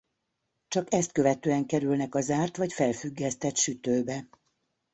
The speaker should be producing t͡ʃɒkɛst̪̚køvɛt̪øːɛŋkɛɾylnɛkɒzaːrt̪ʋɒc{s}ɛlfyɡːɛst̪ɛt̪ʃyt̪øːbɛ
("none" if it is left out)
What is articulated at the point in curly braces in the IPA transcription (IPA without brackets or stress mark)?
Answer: f